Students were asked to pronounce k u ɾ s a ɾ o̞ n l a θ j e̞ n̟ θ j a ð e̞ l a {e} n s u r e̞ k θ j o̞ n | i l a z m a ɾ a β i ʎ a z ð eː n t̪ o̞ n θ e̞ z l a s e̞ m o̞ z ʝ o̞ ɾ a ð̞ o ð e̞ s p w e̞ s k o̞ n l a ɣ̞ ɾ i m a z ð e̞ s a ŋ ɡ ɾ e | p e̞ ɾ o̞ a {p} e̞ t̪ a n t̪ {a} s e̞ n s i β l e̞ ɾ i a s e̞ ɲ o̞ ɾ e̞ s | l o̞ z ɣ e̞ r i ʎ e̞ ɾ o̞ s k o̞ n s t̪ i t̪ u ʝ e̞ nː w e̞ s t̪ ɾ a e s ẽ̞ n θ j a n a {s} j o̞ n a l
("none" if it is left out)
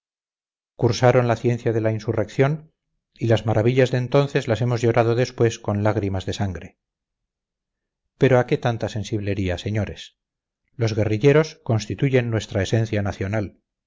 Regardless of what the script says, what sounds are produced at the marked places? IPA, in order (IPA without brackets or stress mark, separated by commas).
i, k, a, θ